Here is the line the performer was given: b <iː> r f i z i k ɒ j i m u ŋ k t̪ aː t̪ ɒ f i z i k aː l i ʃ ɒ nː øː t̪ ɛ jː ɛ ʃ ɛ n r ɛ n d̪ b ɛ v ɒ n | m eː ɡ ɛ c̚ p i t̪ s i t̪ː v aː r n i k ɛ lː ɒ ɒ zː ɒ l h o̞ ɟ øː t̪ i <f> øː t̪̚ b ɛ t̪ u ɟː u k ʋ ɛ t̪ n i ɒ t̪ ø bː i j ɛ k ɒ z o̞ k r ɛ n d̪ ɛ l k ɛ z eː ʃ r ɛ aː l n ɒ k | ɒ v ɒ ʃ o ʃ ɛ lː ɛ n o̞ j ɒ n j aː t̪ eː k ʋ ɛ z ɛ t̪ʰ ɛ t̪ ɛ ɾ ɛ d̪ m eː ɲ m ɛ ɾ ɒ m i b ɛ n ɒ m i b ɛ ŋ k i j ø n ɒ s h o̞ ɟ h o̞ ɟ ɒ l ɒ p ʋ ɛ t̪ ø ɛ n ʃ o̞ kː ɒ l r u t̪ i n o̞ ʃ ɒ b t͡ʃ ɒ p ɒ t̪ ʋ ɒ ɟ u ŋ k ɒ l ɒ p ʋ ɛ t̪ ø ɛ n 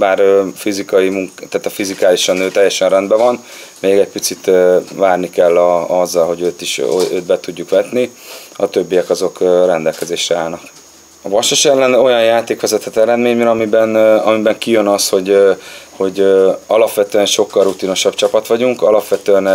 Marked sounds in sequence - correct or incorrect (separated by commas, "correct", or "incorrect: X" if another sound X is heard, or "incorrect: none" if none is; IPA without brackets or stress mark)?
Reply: incorrect: aː, incorrect: ʃ